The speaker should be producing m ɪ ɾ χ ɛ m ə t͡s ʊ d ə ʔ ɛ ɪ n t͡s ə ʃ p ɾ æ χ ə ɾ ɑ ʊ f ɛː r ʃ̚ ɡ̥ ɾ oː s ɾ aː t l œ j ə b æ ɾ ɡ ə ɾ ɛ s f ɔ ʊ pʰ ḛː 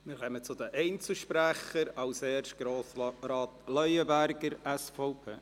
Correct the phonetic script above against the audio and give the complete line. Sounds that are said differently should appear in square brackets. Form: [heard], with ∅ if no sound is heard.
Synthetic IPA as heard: m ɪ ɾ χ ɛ m ə t͡s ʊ d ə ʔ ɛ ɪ n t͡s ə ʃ p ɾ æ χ ə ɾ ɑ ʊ [s] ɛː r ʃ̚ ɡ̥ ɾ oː s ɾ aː t l œ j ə b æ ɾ ɡ ə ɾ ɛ s f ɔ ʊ pʰ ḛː